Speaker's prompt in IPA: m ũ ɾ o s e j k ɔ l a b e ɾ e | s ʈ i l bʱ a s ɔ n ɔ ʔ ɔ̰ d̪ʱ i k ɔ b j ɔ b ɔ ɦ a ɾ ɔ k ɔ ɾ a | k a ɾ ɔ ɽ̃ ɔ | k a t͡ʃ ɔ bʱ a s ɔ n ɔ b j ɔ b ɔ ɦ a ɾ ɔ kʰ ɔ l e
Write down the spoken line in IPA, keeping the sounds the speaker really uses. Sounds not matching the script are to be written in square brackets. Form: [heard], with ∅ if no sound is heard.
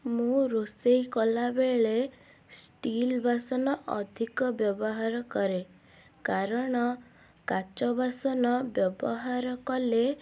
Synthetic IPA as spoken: m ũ ɾ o s e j k ɔ l a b e [ɭ] e | s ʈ i l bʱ a s ɔ n ɔ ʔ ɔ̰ d̪ʱ i k ɔ b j ɔ b ɔ ɦ a ɾ ɔ k ɔ ɾ [e] | k a ɾ ɔ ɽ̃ ɔ | k a t͡ʃ ɔ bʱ a s ɔ n ɔ b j ɔ b ɔ ɦ a ɾ ɔ [k] ɔ l e